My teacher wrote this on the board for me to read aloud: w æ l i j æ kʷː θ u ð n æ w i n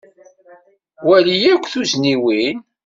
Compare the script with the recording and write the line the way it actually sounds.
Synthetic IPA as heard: w æ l i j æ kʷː θ u z n i w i n